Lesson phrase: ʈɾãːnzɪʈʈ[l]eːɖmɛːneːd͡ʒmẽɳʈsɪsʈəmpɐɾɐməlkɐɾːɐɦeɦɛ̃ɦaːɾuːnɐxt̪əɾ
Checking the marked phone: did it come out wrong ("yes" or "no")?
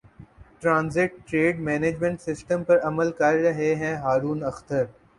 yes